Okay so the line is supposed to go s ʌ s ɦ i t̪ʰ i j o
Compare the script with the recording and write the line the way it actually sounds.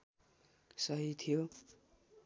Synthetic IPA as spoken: s ʌ ɦ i t̪ʰ i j o